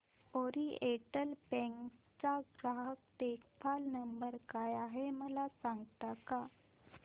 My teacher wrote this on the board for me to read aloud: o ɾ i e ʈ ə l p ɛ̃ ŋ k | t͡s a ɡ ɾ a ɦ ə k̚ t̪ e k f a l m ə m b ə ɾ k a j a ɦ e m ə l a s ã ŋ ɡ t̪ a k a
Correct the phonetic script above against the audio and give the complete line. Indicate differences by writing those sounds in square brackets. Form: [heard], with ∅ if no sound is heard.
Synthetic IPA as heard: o ɾ i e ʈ ə l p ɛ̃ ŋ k | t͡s a ɡ ɾ a ɦ ə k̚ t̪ e k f a l [n] ə m b ə ɾ k a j a ɦ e m ə l a s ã ŋ ɡ t̪ a k a